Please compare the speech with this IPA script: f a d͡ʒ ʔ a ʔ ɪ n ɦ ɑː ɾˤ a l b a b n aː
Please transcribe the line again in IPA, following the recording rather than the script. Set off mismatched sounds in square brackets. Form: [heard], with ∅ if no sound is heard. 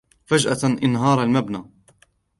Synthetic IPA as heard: f a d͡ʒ ʔ a ʔ ɪ n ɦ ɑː ɾˤ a l [m] a b n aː